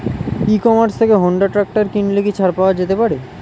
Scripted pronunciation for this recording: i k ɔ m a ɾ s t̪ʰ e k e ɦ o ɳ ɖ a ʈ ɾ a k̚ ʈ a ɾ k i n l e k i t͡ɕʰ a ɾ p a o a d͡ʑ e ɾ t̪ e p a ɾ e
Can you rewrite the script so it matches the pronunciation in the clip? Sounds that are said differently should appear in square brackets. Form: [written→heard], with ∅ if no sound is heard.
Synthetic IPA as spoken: i k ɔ m a ɾ s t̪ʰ e k e ɦ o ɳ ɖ a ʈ ɾ a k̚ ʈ a ɾ k i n l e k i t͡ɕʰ a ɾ p a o a d͡ʑ e [ɾ→∅] t̪ e p a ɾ e